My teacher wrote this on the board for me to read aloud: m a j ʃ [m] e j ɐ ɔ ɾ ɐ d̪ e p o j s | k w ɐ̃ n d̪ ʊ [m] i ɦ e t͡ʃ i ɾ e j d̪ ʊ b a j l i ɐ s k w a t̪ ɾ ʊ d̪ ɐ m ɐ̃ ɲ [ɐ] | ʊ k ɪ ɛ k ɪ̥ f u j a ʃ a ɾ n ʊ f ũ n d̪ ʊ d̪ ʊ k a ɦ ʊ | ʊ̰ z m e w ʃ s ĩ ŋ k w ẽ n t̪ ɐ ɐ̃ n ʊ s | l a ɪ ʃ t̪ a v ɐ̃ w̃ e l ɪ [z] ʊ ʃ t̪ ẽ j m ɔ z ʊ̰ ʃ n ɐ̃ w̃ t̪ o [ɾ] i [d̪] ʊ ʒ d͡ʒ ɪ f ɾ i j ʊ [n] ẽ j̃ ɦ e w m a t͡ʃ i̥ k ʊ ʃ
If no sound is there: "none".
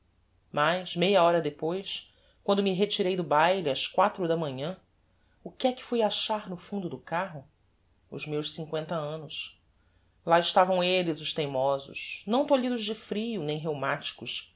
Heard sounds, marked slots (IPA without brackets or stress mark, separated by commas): m, m, ɐ̃, z, ʎ, d̪, n